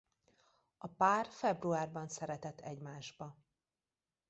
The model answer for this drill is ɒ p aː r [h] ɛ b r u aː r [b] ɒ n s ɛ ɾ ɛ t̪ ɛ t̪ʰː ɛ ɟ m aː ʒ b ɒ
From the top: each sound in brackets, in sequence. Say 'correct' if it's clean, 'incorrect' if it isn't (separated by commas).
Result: incorrect, correct